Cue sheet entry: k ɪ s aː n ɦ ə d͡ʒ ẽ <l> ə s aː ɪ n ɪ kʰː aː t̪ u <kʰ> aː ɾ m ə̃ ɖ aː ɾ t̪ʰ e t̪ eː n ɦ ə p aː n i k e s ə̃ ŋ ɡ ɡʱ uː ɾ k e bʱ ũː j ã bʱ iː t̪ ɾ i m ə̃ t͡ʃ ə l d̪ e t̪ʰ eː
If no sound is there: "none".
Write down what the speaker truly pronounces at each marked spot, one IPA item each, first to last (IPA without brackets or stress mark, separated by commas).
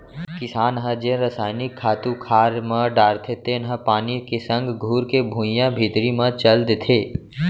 ɾ, kʰ